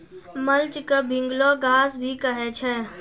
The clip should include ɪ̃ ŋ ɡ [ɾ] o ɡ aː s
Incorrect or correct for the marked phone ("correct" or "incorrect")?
incorrect